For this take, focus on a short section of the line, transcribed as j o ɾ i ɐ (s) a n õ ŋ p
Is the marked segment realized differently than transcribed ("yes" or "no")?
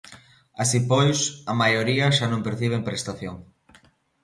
yes